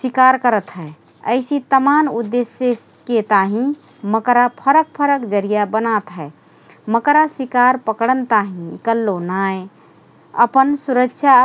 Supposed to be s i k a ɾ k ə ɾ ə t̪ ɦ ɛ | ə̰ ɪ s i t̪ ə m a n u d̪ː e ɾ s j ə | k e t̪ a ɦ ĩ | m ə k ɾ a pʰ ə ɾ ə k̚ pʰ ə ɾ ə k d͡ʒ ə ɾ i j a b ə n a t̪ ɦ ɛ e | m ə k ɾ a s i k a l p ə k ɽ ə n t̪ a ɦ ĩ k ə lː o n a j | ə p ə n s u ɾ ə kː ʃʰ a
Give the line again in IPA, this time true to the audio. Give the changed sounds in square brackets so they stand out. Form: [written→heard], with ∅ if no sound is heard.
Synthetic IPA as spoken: s i k a ɾ k ə ɾ ə t̪ ɦ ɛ | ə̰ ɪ s i t̪ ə m a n u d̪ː e [ɾ→∅] s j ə | k e t̪ a ɦ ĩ | m ə k ɾ a pʰ ə ɾ ə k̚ pʰ ə ɾ ə k d͡ʒ ə ɾ i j a b ə n a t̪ ɦ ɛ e | m ə k ɾ a s i k a [l→ɾ] p ə k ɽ ə n t̪ a ɦ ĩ k ə lː o n a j | ə p ə n s u ɾ ə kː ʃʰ a